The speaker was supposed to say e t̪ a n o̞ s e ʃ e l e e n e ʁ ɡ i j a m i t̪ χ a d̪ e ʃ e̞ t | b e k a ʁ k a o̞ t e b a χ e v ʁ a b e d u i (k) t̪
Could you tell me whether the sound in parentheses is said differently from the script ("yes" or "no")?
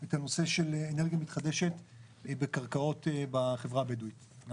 yes